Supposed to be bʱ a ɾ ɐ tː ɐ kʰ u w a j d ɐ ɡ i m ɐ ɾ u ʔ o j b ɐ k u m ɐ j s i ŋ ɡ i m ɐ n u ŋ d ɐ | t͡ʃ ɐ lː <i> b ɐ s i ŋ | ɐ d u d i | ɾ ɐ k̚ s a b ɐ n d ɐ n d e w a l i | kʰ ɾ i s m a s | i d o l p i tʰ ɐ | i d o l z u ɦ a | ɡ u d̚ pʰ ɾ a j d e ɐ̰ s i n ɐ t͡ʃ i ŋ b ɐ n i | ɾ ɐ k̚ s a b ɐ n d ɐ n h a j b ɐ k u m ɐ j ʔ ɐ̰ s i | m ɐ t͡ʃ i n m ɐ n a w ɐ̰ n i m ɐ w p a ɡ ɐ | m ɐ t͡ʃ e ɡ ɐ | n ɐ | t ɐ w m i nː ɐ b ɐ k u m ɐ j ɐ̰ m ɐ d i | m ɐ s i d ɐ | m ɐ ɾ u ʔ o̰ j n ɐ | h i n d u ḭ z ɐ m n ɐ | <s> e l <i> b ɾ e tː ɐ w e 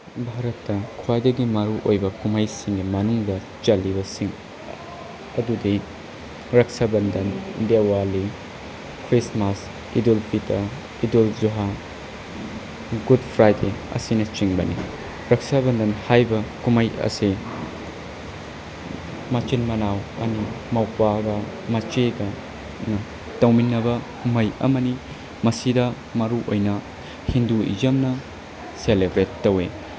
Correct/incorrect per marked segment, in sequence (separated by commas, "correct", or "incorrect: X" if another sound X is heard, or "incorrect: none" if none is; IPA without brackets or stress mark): correct, correct, incorrect: e